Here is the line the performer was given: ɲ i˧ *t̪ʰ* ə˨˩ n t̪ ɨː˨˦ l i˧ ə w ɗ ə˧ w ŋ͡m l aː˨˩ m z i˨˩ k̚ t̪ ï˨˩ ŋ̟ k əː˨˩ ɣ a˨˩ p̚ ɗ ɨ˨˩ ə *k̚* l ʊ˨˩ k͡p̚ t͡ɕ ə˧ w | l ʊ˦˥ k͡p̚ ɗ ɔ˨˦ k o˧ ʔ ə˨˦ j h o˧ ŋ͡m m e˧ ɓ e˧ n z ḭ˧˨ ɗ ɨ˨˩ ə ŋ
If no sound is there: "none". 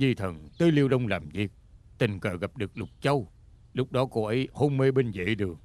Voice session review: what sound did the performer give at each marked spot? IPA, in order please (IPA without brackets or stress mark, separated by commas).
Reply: t̪ʰ, k̚